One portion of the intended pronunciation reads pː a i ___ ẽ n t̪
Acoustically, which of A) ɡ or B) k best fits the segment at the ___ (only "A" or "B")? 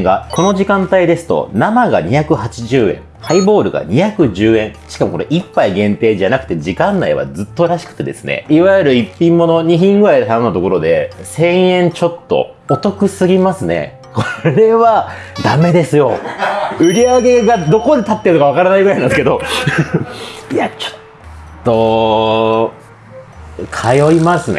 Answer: A